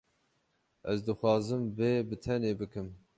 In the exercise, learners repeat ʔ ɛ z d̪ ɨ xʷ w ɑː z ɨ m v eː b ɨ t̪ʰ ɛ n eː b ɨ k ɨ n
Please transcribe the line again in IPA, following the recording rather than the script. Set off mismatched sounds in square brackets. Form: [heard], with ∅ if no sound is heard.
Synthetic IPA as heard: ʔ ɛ z d̪ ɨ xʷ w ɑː z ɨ m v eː b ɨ t̪ʰ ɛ n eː b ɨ k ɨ [m]